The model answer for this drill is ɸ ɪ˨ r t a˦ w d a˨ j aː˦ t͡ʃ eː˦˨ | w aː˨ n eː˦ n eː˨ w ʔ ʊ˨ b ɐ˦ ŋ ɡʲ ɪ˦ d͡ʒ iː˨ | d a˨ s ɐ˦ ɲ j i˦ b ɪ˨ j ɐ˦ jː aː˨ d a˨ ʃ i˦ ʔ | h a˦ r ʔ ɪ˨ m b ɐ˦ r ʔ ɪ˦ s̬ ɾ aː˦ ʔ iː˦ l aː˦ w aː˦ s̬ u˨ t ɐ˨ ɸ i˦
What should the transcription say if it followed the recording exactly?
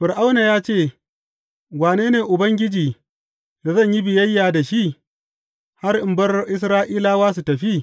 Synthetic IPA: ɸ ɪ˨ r ʔ a˦ w n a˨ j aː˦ t͡ʃ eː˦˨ | w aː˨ n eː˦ n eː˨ ʔ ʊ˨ b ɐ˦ ŋ ɡʲ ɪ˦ d͡ʒ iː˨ | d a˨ z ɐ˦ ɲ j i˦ b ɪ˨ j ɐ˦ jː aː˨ d a˨ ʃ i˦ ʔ | h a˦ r ʔ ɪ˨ m b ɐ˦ r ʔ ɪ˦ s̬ ɾ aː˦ ʔ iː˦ l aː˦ w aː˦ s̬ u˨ t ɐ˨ ɸ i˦